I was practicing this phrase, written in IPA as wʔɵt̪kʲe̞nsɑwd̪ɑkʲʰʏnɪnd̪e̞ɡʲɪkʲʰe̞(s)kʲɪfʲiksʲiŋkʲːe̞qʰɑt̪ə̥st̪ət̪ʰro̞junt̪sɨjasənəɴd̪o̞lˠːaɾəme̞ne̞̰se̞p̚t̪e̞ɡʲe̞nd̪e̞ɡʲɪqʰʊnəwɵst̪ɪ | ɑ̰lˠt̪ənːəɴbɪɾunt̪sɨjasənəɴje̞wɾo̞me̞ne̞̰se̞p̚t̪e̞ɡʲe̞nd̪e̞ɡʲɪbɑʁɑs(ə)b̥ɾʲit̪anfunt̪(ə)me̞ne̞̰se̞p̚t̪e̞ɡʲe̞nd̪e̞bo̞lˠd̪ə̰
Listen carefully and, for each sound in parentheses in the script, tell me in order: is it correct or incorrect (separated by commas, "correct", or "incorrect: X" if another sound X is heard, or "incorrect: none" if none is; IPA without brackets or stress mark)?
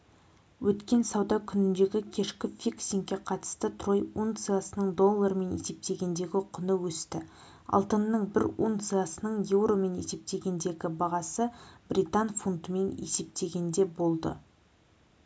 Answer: incorrect: ʃ, correct, correct